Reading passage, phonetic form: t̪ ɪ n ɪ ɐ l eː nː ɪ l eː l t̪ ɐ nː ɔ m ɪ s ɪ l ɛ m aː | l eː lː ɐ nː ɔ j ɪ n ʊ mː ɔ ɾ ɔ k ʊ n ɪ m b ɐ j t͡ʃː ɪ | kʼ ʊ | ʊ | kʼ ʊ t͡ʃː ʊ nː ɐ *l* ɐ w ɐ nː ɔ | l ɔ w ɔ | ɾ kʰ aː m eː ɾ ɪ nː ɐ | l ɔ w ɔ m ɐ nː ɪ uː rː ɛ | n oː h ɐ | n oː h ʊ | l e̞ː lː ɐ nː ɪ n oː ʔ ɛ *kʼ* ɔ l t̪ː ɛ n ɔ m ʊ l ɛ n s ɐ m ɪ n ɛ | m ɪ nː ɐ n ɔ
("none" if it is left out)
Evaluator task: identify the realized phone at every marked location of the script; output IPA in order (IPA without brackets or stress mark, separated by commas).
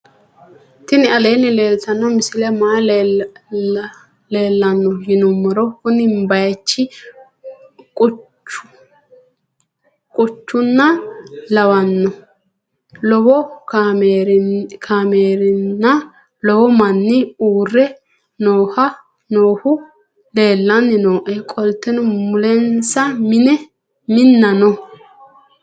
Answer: l, kʼ